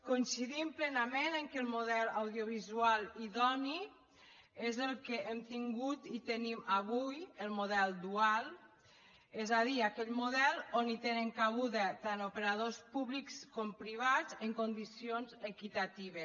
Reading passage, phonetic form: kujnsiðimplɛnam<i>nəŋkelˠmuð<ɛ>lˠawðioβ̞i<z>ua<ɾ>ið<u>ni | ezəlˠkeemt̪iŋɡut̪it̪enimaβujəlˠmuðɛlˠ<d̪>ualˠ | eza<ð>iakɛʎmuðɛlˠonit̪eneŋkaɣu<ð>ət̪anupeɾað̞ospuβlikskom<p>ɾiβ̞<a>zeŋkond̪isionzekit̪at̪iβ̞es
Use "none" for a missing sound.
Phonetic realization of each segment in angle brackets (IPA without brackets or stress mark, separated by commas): e, ɛ, z, l, ɔ, d̪, ð, ð, p, a